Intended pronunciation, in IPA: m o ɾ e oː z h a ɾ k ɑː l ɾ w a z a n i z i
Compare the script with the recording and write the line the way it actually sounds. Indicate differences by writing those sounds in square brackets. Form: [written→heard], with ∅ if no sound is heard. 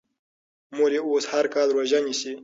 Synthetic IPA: m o ɾ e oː [z→s] h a ɾ k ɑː l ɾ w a [z→ʒ] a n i [z→s] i